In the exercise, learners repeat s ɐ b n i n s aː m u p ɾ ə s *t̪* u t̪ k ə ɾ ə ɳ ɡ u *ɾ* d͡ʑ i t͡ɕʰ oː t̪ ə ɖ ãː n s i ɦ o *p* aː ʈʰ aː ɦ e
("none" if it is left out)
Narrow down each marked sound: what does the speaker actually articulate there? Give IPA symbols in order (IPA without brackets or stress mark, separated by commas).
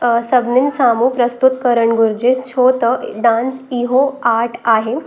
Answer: t̪, ɾ, none